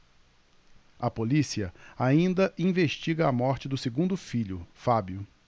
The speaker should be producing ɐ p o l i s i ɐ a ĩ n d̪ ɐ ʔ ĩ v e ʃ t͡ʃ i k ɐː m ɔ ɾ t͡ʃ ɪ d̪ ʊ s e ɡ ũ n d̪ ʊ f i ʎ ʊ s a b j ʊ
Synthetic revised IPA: ɐ p o l i s i ɐ a ĩ n d̪ ɐ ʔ ĩ v e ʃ t͡ʃ i ɡ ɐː m ɔ ɾ t͡ʃ ɪ d̪ ʊ s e ɡ ũ n d̪ ʊ f i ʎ ʊ f a b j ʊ